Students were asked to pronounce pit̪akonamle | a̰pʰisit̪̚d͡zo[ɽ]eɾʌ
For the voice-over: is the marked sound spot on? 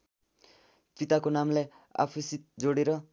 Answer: yes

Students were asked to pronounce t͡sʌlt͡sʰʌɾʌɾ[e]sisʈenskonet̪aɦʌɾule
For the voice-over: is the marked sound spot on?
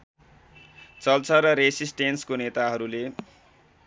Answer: yes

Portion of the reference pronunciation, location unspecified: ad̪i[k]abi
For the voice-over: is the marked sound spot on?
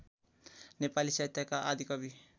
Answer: yes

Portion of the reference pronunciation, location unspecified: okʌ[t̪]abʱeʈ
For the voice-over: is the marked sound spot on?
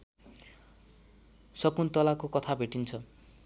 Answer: no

